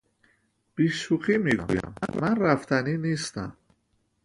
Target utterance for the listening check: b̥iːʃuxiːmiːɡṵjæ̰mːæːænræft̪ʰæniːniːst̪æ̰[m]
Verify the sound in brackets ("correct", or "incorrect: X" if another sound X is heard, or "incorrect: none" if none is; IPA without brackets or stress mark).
correct